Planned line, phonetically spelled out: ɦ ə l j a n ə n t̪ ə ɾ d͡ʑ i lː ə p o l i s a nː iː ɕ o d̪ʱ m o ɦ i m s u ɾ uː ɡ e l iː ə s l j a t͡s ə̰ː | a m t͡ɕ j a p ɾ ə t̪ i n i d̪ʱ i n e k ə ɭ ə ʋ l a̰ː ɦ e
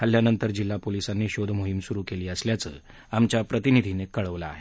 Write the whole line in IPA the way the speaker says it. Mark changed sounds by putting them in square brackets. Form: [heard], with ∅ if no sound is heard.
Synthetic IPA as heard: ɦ ə l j a n ə n t̪ ə ɾ d͡ʑ i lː [a] p o l i s a nː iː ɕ o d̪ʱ m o ɦ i m s u ɾ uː [k] e l iː ə s l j a t͡s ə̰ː | a m t͡ɕ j a p ɾ ə t̪ i n i d̪ʱ i n e k ə ɭ ə ʋ l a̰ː ɦ e